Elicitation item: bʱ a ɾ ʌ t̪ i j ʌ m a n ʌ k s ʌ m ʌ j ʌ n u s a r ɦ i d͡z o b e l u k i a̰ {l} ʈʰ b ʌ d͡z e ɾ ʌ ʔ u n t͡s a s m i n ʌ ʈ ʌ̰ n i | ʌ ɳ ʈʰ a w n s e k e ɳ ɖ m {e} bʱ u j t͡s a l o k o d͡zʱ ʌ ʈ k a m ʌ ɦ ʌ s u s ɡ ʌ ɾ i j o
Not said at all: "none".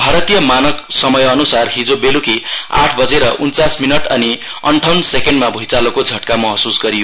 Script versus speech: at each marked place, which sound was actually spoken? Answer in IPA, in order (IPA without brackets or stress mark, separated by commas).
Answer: none, a